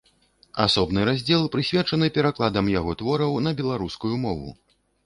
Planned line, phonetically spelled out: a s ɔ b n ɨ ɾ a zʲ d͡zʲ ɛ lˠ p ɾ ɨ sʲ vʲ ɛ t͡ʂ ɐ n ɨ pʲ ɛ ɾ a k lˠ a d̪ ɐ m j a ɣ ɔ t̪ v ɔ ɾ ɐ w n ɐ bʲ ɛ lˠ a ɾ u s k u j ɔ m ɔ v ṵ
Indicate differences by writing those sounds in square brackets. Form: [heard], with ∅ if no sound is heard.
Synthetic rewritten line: a s ɔ b n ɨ ɾ a zʲ d͡zʲ ɛ lˠ p ɾ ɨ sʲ vʲ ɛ t͡ʂ ɐ n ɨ pʲ ɛ ɾ a k lˠ a d̪ ɐ m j a ɣ ɔ t̪ v ɔ ɾ ɐ w n ɐ bʲ ɛ lˠ a ɾ u s k u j [u] m ɔ v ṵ